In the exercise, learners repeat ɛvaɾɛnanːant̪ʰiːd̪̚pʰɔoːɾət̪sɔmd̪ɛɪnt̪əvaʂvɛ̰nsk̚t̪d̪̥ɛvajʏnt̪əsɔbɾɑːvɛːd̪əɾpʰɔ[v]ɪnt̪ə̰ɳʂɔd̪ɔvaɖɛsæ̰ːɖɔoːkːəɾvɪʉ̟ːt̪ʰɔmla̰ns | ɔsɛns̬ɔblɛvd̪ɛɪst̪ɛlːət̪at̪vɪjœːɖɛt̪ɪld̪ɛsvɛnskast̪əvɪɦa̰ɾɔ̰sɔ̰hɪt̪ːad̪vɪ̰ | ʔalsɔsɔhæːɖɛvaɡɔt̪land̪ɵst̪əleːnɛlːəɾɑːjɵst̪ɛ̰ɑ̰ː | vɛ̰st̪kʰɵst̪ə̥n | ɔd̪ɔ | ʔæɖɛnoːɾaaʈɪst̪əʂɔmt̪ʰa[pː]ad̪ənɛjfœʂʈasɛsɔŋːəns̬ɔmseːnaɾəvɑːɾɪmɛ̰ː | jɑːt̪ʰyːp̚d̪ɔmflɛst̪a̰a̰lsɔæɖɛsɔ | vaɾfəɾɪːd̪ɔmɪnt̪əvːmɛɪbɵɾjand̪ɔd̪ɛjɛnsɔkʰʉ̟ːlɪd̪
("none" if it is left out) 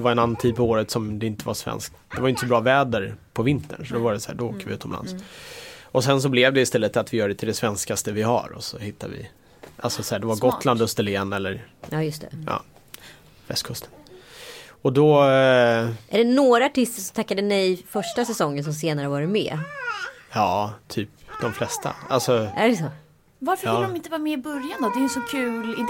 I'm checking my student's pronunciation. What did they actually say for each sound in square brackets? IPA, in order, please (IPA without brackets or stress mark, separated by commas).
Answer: v, kː